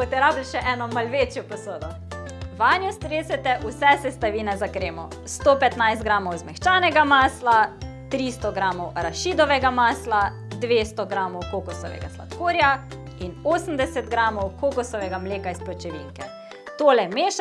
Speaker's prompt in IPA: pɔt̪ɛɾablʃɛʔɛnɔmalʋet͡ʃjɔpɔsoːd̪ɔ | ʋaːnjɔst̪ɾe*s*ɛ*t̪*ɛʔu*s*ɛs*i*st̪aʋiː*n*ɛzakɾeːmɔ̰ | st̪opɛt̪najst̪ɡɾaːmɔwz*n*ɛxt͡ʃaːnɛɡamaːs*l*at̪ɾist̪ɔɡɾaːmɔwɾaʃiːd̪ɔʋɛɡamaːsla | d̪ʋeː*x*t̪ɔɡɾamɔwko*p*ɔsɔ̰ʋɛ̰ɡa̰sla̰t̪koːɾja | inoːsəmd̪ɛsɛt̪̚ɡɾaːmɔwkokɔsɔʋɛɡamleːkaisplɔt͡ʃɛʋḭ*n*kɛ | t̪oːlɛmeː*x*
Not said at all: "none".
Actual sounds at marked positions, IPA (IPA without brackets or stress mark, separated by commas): s, t̪, s, ɛ, n, m, l, s, k, ŋ, ʃ